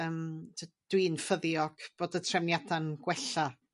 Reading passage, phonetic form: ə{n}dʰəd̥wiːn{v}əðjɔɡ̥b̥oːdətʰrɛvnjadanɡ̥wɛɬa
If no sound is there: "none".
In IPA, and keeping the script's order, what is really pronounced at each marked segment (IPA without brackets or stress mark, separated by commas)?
m, f